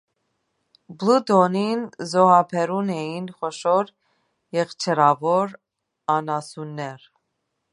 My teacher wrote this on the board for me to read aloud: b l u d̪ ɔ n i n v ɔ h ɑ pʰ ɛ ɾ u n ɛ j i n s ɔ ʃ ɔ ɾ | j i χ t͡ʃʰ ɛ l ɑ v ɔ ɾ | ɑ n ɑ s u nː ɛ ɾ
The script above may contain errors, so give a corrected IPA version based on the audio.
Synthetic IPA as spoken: b l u d̪ ɔ n i n z ɔ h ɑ pʰ ɛ ɾ u n ɛ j i n χ ɔ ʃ ɔ ɾ | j ɛ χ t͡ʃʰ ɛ ɾ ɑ v ɔ ɾ | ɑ n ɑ s u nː ɛ ɾ